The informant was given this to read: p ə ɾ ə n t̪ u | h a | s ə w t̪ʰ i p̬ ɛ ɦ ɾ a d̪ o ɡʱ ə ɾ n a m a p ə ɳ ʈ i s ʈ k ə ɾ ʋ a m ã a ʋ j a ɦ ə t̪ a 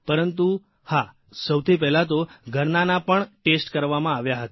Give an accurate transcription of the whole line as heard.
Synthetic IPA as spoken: p ə ɾ ə n t̪ u | h a | s ə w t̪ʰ i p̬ ɛ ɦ l a t̪ o ɡʱ ə ɾ n a n a p ə ɳ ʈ e s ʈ k ə ɾ ʋ a m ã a ʋ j a ɦ ə t̪ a

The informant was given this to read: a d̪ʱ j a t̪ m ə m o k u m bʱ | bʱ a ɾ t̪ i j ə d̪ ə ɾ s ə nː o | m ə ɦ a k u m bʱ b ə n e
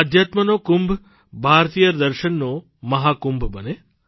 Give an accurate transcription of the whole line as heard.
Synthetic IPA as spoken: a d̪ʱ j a t̪ m ə n o k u m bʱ | bʱ a ɾ t̪ i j ə d̪ ə ɾ ʃ ə nː o | m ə ɦ a k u m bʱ b ə n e

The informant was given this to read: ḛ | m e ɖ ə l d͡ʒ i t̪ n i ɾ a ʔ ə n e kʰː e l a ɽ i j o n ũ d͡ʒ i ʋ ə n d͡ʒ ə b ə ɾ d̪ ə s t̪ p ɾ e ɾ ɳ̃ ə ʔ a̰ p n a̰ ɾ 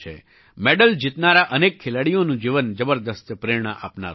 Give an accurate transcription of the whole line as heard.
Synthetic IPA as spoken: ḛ | m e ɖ ə l d͡ʒ i t̪ n a ɾ a ʔ ə n e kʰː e l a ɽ i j o n ũ d͡ʒ i ʋ ə n d͡ʒ ə b ə ɾ d̪ ə s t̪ p ɾ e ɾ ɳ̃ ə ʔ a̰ p n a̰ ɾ

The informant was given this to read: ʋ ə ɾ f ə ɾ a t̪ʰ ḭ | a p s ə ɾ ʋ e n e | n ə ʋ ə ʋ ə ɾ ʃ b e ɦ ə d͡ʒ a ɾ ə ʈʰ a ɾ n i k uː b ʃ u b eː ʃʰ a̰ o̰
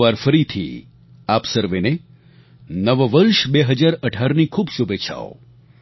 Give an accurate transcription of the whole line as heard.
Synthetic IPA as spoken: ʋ a ɾ f ə ɾ i t̪ʰ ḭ | a p s ə ɾ ʋ e n e | n ə ʋ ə ʋ ə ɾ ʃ b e ɦ ə d͡ʒ a ɾ ə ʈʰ a ɾ n i kʰ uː b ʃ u b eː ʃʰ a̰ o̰

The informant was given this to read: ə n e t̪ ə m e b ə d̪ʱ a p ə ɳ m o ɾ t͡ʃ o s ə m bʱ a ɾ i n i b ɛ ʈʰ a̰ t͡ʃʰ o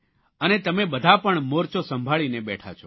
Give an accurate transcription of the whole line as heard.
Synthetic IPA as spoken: ə n e t̪ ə m e b ə d̪ʱ a p ə ɳ m o ɾ t͡ʃ o s ə m bʱ a ɭ i n e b ɛ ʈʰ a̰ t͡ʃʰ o

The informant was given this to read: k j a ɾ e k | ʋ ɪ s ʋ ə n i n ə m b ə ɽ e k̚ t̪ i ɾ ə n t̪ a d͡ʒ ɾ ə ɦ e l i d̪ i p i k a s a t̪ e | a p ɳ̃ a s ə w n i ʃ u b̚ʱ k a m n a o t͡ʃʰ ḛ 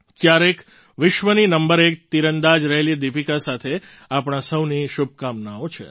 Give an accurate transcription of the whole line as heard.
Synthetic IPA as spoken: k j a ɾ e k | ʋ ɪ ʃ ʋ ə n i n ə m b ə ɾ e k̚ t̪ i ɾ ə n d̪ a d͡ʒ ɾ ə ɦ e l i d̪ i p i k a s a t̪ʰ e | a p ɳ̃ a s ə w n i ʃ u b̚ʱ k a m n a o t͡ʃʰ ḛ

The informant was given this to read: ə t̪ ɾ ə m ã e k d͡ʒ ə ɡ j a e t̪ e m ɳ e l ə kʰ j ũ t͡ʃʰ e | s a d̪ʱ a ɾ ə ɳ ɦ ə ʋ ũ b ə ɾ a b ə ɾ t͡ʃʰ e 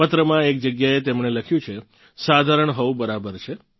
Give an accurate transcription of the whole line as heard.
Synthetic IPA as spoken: ə t̪ ɾ ə m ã e k d͡ʒ ə ɡ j a e t̪ e m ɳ e l ə kʰ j ũ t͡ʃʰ e | s a d̪ʱ a ɾ ə ɳ ɦ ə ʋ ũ b ə ɾ a b ə ɾ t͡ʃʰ e

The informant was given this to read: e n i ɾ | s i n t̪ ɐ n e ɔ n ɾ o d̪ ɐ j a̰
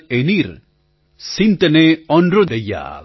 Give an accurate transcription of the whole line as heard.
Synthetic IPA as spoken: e n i ɾ | s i n t̪ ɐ n e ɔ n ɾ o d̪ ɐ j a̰

